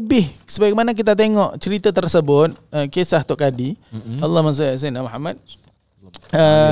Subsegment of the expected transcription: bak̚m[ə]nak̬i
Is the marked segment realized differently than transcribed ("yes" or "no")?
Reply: yes